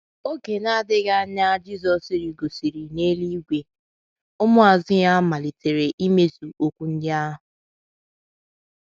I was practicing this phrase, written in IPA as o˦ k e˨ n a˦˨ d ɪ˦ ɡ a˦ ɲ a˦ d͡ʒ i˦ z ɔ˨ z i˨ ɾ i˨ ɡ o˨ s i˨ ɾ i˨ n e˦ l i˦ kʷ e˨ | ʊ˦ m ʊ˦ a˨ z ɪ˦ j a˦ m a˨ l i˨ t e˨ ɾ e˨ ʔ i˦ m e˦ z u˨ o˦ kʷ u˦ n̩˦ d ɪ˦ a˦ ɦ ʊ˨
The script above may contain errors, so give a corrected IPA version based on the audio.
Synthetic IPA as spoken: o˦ k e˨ n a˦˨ d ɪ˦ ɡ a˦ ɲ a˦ d͡ʒ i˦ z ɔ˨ s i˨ ɾ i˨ ɡ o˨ s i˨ ɾ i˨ n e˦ l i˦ ɡʷ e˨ | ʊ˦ m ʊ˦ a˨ z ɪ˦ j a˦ m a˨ l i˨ t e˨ ɾ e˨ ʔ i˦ m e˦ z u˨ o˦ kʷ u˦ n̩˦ d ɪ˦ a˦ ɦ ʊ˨